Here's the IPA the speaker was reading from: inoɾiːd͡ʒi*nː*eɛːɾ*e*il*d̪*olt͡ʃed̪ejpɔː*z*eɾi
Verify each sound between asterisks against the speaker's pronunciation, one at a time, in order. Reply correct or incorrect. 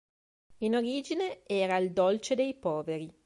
incorrect: n, incorrect: a, correct, incorrect: v

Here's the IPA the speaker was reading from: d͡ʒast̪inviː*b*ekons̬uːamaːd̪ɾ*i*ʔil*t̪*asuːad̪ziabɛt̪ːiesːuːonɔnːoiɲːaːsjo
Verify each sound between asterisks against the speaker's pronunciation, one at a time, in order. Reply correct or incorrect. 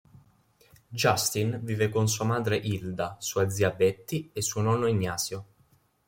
incorrect: v, incorrect: e, incorrect: d̪

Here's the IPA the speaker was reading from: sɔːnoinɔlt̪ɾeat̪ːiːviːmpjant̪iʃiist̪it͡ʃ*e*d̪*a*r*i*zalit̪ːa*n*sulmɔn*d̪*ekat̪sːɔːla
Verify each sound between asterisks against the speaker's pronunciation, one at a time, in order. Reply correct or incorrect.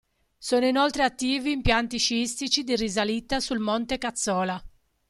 incorrect: i, incorrect: i, correct, incorrect: none, incorrect: t̪

